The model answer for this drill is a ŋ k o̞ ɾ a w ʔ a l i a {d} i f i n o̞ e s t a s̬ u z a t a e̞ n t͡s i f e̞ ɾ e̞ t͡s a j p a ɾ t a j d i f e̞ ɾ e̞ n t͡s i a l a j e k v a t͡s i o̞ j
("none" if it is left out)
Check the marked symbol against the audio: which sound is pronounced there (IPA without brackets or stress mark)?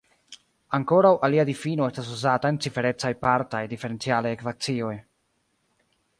d